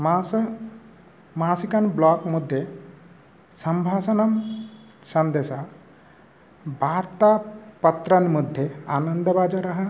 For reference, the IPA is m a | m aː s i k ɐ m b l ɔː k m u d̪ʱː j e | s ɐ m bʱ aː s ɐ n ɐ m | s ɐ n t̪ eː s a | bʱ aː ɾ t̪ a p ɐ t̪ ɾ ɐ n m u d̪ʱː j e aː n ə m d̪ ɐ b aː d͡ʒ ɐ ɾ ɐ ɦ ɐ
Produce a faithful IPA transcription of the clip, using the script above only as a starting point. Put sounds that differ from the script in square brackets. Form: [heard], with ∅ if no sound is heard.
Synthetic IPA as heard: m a | m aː s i k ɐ [n] b l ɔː k m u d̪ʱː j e | s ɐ m bʱ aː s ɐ n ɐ m | s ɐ n [d̪] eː s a | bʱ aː ɾ t̪ a p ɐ t̪ ɾ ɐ n m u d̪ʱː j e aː n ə [n] d̪ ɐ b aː d͡ʒ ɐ ɾ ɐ ɦ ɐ